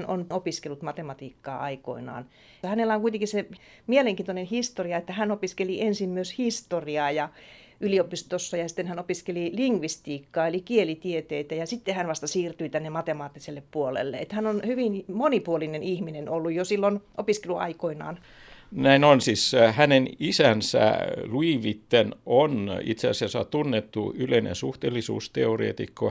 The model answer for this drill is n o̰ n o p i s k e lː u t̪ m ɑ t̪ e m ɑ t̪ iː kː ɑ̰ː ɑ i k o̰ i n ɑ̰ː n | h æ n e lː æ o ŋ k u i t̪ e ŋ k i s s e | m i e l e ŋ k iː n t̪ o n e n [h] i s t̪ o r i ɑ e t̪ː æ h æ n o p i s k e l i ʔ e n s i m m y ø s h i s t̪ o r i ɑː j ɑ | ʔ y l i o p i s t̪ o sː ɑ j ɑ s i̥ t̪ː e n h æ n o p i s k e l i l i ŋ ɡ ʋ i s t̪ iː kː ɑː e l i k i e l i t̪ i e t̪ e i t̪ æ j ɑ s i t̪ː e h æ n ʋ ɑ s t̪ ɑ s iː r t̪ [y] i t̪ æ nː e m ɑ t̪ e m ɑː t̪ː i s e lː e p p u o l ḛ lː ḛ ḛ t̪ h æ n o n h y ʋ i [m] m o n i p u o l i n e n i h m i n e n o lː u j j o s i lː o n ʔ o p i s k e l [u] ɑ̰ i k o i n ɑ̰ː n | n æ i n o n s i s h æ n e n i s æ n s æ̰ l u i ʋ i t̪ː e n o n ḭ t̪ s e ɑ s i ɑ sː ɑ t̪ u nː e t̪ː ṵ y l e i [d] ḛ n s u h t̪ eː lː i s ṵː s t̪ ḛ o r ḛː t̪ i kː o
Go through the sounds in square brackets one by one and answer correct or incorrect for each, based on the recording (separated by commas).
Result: correct, correct, incorrect, correct, incorrect